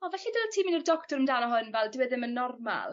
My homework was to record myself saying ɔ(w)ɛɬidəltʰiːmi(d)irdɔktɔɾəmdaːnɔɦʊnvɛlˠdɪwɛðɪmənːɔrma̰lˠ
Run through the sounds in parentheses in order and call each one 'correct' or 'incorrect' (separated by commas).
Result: incorrect, incorrect